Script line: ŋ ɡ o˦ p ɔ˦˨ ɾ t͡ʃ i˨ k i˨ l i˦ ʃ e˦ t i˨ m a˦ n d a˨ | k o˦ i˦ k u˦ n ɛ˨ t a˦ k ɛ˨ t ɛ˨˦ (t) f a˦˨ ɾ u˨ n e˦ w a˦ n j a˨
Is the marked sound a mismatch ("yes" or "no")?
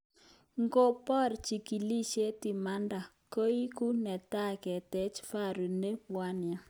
yes